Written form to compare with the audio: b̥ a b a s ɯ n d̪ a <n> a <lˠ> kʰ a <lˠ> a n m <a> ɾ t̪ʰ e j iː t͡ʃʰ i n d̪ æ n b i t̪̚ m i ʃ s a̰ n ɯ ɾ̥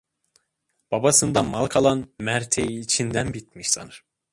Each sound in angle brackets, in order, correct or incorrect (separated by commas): incorrect, correct, correct, incorrect